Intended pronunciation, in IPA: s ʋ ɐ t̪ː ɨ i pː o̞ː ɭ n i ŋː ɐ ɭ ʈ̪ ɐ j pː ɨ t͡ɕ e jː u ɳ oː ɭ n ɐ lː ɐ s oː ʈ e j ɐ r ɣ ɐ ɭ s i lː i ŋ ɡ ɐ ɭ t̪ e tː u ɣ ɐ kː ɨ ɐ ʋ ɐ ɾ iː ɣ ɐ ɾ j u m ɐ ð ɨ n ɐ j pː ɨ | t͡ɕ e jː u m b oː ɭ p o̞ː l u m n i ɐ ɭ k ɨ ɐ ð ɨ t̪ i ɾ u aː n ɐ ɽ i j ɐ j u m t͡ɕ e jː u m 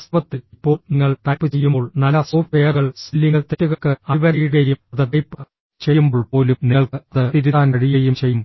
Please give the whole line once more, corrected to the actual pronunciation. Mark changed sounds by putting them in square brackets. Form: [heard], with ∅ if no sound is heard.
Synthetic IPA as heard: s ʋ ɐ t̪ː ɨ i pː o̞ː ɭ n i ŋː ɐ ɭ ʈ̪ ɐ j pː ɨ t͡ɕ e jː u [m] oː ɭ n ɐ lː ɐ s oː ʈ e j ɐ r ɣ ɐ ɭ s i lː i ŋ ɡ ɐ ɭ t̪ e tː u ɣ ɐ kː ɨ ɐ ʋ ɐ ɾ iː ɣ ɐ ɾ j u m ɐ ð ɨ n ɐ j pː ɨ | t͡ɕ e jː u m b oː ɭ p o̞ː l u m n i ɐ ɭ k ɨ ɐ ð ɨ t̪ i ɾ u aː n ɐ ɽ i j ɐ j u m t͡ɕ e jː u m

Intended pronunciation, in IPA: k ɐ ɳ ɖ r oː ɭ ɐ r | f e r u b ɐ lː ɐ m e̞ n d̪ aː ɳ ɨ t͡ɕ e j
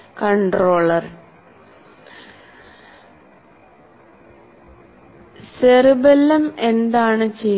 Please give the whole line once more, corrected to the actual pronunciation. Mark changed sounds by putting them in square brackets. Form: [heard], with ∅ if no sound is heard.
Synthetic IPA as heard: k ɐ ɳ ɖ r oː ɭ ɐ r | [s] e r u b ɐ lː ɐ m e̞ n d̪ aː ɳ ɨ t͡ɕ e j

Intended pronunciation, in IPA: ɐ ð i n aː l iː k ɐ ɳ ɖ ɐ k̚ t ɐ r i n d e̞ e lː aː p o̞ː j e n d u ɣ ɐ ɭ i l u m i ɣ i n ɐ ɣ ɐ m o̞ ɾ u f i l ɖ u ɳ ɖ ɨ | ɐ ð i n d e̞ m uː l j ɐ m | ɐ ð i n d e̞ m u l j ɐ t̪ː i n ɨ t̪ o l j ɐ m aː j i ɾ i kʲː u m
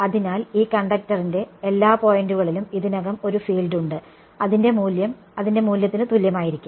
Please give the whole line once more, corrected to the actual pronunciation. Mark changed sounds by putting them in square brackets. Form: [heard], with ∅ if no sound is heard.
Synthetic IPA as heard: ɐ ð i n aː l iː k ɐ ɳ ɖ ɐ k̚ t ɐ r i n d e̞ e lː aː p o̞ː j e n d u ɣ ɐ ɭ i l u m i [ð] i n ɐ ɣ ɐ m o̞ ɾ u f [iː] l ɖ u ɳ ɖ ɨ | ɐ ð i n d e̞ m uː l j ɐ m | ɐ ð i n d e̞ m [uː] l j ɐ t̪ː i n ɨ t̪ [u] l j ɐ m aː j i ɾ i kʲː u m

